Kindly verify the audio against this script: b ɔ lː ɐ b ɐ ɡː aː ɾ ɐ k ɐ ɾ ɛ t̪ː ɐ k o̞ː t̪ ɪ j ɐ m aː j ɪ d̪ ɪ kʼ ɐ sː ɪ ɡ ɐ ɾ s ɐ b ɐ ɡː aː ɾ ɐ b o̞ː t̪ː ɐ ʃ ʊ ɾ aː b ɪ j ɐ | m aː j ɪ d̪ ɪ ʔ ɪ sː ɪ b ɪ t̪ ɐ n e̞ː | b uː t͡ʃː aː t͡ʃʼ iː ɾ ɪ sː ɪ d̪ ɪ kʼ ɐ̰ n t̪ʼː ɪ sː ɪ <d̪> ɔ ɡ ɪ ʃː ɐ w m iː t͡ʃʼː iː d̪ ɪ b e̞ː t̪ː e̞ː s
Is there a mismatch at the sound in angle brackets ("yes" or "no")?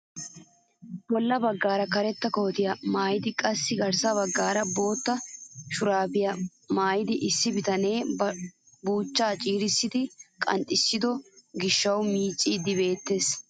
no